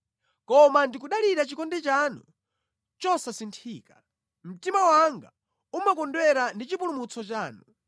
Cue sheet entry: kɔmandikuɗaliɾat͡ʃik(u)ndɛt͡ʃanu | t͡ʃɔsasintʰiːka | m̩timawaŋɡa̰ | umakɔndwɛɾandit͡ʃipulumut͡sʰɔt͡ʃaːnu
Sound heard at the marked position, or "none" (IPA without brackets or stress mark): ɔ